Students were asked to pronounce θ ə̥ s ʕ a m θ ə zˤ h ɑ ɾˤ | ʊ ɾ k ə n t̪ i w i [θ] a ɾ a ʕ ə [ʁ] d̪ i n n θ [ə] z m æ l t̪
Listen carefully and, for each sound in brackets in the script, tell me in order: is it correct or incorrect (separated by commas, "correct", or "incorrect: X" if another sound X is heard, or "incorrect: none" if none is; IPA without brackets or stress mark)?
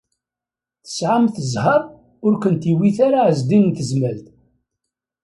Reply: correct, incorrect: z, correct